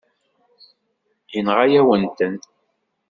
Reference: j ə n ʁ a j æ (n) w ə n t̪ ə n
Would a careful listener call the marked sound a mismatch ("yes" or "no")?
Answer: yes